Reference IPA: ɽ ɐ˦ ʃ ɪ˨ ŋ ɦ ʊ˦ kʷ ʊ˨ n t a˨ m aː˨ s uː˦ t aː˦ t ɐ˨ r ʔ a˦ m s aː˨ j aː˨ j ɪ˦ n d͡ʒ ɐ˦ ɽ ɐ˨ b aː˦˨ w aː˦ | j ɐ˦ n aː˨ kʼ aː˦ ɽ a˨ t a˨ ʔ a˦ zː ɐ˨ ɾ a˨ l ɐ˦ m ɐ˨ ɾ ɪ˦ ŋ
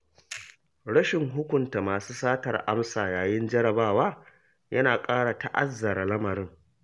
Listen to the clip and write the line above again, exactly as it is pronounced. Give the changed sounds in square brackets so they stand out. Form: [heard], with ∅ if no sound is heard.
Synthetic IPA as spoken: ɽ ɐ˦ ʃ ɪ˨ ŋ ɦ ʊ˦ kʷ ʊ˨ n t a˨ m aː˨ s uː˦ [s] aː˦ t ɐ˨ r ʔ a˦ m s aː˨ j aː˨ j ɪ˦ n d͡ʒ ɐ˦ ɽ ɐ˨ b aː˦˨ w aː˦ | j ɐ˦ n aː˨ kʼ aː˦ ɽ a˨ t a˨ ʔ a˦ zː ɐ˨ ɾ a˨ l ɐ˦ m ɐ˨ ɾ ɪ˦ ŋ